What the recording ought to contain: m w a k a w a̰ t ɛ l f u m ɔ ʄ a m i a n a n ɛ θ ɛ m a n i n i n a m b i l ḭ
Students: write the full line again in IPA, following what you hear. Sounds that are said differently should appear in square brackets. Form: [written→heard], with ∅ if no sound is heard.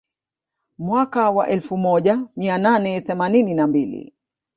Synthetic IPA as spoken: m w a k a w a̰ [t→ʔ] ɛ l f u m ɔ ʄ a m i a n a n ɛ θ ɛ m a n i n i n a m b i l ḭ

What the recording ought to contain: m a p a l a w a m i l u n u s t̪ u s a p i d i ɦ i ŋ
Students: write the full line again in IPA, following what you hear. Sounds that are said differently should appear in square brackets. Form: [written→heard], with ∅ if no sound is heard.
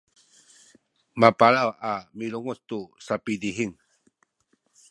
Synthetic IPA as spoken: m a p a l a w a m i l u [n→ŋ] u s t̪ u s a p i d i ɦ i ŋ

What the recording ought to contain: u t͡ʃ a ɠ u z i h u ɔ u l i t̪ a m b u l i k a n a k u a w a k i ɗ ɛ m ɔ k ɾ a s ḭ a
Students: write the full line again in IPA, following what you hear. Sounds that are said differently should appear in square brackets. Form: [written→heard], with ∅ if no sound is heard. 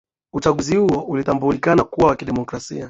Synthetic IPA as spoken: u t͡ʃ a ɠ u z i h u ɔ u l i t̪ a m b u l i k a n a k u a w a k i ɗ ɛ m ɔ k ɾ a s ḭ a

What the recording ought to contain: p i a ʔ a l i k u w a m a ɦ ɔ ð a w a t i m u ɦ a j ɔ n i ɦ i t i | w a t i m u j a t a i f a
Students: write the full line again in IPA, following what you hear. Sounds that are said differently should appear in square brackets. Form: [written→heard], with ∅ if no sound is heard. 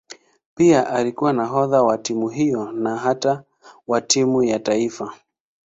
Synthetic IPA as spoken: p i a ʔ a l i k u w a [m→n] a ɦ ɔ ð a w a t i m u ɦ [a→i] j ɔ n [i→a] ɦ [i→a] t [i→a] | w a t i m u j a t a i f a

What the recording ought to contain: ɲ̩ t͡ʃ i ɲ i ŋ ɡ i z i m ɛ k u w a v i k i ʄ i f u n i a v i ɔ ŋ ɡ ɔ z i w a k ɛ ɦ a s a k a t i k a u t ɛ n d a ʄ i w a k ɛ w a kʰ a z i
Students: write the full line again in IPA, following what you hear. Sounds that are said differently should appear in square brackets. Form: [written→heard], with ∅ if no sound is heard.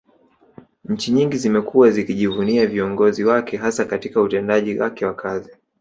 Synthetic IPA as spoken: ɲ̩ t͡ʃ i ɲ i ŋ ɡ i z i m ɛ k u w a [v→z] i k i ʄ i [f→v] u n i a v i ɔ ŋ ɡ ɔ z i w a k ɛ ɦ a s a k a t i k a u t ɛ n d a ʄ i w a k ɛ w a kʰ a z i

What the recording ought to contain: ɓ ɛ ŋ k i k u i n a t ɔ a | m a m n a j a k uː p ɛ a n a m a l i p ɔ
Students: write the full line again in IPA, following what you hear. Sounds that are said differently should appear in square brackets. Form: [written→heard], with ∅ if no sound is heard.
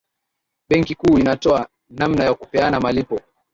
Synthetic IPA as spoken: ɓ ɛ ŋ k i k [u→uː] i n a t ɔ a | [m→n] a m n a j a k [uː→u] p ɛ a n a m a l i p ɔ

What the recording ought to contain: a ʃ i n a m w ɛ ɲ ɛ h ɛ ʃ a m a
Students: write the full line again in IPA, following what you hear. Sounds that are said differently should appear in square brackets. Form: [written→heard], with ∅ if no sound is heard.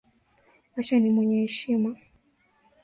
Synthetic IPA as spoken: a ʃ [i→a] n [a→i] m w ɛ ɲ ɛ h ɛ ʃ [a→i] m a

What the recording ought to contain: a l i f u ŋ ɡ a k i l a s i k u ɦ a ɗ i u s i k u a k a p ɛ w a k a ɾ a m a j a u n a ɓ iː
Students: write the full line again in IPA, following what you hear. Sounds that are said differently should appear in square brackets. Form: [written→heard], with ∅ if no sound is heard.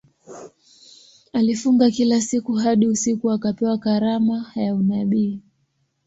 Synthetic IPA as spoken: a l i f u ŋ ɡ a k i l a s i k u ɦ a ɗ i u s i k u a k a p ɛ w a k a ɾ a m a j a u n a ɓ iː

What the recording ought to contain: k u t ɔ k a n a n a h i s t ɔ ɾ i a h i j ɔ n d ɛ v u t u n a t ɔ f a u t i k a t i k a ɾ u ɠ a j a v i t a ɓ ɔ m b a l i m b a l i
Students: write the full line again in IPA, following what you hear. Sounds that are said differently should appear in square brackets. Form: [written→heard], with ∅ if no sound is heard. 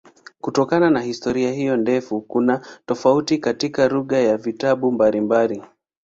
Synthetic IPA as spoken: k u t ɔ k a n a n a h i s t ɔ ɾ i a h i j ɔ n d ɛ [v→f] u [t→k] u n a t ɔ f a u t i k a t i k a ɾ u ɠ a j a v i t a ɓ [ɔ→u] m b a l i m b a l i

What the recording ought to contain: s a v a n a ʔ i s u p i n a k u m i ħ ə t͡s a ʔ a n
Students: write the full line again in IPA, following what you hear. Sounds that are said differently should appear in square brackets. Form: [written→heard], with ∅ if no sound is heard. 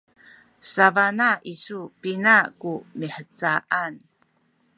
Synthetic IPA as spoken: s a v a n a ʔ i s u p i n a k u m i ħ ə t͡s a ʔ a n

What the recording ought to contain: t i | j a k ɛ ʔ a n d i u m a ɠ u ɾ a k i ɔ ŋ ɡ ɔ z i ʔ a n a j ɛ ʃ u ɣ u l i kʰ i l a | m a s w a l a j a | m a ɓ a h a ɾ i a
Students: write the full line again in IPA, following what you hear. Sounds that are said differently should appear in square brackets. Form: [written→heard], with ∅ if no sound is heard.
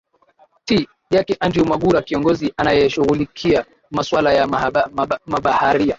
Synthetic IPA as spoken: t i | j a k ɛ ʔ a n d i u m a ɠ u ɾ a k i ɔ ŋ ɡ ɔ z i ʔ a n a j ɛ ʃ u ɣ u l i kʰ i [l→∅] a | m a s w a l a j a | m a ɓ a h a ɾ i a

